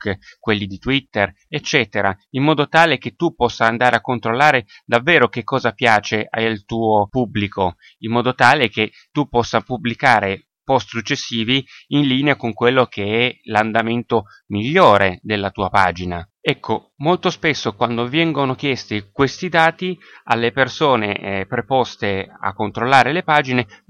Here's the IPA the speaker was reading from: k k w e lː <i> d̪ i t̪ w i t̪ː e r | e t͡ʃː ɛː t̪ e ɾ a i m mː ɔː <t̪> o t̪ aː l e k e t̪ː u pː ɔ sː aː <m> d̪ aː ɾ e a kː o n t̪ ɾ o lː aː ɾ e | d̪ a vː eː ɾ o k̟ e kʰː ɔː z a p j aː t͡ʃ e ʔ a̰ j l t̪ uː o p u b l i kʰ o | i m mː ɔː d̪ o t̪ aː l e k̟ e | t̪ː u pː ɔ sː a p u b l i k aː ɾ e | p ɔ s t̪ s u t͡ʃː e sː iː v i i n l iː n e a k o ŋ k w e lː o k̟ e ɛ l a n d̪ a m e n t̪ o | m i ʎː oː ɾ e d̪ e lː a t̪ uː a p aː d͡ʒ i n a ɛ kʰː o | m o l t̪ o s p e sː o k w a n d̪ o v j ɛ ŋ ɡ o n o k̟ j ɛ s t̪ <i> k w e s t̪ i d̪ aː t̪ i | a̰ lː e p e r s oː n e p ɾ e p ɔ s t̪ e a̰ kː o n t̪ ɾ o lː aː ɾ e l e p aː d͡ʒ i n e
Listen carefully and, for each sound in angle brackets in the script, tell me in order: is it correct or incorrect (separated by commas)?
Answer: correct, incorrect, incorrect, correct